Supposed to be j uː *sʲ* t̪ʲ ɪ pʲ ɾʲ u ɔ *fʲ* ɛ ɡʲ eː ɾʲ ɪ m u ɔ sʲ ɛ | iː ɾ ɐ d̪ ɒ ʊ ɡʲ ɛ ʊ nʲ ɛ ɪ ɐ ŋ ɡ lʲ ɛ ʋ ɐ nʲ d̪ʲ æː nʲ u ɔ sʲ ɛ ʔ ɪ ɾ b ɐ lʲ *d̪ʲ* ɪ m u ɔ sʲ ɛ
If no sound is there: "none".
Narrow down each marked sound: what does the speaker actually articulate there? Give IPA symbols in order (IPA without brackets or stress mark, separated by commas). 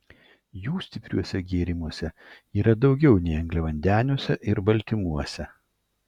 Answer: sʲ, sʲ, t̪ʲ